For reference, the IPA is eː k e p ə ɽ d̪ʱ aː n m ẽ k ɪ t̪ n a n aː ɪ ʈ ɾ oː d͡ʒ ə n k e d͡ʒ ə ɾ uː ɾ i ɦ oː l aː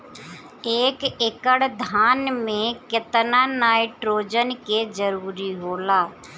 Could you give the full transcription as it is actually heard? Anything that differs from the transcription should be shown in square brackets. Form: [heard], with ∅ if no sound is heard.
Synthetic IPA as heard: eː k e [k] ə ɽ d̪ʱ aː n m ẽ k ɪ t̪ n a n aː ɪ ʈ ɾ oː d͡ʒ ə n k e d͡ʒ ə ɾ uː ɾ i ɦ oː l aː